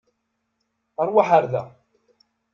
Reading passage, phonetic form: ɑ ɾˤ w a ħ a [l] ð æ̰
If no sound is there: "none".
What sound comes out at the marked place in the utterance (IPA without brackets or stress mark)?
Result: ɾ